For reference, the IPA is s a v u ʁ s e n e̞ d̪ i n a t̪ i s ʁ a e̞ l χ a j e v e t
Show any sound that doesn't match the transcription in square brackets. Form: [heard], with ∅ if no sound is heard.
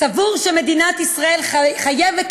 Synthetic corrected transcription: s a v u ʁ [ʃ] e [m] e̞ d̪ i n a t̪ i s ʁ a e̞ l χ a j e v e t